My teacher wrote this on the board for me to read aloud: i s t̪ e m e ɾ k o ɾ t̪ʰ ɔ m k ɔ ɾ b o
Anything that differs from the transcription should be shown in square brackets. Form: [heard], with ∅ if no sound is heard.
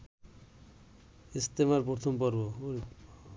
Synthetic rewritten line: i s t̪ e m [a] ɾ [p] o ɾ t̪ʰ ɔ m [p] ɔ ɾ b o